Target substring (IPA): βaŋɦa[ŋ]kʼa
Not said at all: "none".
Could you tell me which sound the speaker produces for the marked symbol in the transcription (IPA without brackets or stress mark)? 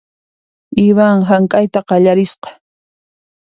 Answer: ŋ